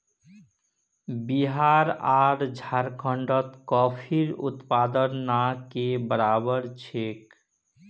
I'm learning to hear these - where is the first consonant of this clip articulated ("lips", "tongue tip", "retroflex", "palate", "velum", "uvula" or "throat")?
lips